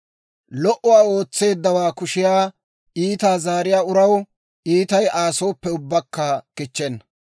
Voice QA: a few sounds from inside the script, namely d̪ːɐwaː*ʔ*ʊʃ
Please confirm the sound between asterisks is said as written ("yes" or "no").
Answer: no